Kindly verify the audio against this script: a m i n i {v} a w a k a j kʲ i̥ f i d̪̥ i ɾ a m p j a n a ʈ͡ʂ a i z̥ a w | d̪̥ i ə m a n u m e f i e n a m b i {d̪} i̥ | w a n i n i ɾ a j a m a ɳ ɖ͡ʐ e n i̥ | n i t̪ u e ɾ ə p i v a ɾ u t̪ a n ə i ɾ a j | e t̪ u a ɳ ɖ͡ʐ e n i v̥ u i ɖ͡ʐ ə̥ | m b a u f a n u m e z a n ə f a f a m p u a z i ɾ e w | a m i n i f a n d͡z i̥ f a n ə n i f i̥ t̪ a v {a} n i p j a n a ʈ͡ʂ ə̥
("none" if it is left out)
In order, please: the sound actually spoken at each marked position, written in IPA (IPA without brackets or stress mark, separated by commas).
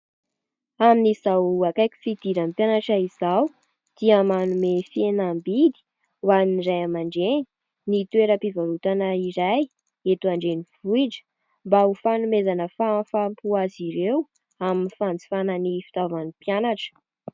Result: z, d̪, a